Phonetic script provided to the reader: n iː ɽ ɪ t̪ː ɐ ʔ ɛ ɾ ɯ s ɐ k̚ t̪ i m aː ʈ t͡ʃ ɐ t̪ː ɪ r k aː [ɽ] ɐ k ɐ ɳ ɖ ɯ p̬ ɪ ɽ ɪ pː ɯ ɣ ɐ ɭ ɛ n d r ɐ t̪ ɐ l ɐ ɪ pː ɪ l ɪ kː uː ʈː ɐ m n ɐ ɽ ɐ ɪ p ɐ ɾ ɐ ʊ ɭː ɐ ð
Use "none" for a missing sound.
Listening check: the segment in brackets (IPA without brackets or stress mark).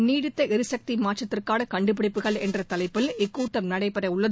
ɽ